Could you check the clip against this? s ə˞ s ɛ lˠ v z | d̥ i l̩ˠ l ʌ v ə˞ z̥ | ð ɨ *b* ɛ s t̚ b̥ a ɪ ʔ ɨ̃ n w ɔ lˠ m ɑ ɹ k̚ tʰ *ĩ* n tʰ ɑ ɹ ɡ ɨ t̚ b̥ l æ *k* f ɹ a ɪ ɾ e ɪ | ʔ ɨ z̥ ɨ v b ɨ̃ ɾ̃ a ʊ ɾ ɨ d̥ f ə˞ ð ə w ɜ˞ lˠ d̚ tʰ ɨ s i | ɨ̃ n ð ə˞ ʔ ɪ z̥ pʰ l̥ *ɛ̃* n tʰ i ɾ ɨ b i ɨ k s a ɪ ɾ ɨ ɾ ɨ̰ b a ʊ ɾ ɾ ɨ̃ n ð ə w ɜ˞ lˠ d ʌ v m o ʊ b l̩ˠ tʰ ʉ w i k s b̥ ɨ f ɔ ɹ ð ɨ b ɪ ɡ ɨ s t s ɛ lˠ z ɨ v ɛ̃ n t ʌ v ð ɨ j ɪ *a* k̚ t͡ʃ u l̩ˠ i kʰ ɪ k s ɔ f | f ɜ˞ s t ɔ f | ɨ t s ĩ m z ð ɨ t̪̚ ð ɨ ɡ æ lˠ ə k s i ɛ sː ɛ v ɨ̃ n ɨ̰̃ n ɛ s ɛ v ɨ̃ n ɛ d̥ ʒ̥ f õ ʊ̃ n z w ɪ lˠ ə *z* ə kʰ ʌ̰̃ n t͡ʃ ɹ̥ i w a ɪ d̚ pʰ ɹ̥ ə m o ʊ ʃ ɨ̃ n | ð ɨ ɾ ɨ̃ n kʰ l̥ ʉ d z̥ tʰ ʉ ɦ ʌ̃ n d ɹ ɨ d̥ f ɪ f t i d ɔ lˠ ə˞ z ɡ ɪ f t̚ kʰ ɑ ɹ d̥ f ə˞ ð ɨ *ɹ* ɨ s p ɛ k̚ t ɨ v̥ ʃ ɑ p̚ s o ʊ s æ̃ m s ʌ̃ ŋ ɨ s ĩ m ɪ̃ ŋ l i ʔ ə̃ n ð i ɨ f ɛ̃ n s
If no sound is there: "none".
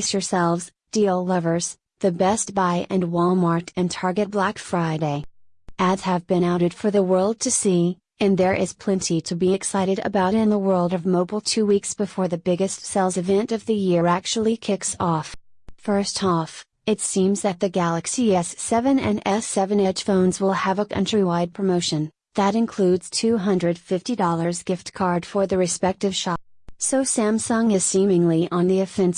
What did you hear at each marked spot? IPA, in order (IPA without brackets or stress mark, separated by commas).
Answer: b, ɨ̃, k, ɛ̃, æ, v, ɹ